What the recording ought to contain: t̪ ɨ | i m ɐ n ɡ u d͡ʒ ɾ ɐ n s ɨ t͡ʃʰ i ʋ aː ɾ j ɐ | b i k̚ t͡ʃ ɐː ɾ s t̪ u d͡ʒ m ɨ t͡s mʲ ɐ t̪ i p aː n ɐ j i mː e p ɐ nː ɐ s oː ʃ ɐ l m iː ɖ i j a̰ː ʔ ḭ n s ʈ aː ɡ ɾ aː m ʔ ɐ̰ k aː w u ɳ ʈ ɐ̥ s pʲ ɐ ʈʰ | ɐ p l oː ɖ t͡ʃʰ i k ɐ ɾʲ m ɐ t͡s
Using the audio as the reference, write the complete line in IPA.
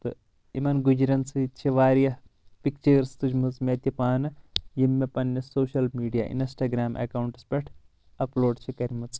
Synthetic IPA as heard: t̪ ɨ | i m ɐ n ɡ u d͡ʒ ɾ ɐ n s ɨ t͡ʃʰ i ʋ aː ɾ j ɐ | p i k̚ t͡ʃ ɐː ɾ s t̪ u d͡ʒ m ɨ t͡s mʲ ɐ t̪ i p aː n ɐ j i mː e p ɐ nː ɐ s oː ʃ ɐ l m iː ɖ i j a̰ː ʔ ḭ n s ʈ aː ɡ ɾ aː m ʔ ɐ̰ k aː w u ɳ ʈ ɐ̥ s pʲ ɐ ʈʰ | ɐ p l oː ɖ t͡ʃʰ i k ɐ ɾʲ m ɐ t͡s